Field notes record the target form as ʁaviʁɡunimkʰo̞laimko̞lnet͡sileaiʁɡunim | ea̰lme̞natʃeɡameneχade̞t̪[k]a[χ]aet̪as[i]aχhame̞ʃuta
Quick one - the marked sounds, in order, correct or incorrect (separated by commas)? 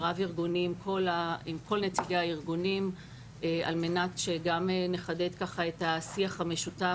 correct, correct, correct